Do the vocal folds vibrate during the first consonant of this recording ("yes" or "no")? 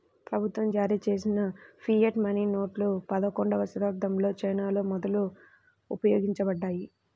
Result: no